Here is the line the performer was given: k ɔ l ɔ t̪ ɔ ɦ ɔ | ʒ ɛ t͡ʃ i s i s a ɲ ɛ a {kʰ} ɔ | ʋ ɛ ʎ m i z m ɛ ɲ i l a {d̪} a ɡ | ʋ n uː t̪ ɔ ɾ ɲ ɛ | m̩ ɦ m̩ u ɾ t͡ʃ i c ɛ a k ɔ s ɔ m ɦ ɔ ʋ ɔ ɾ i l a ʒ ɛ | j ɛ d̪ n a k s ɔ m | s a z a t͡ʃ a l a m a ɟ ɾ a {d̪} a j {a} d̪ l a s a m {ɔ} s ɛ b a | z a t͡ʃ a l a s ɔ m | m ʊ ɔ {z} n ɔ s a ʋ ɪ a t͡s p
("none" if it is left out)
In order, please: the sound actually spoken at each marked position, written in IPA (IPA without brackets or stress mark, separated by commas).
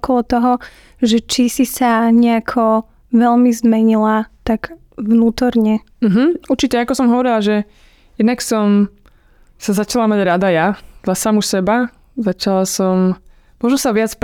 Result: kʰ, t̪, d̪, a, u, ʒ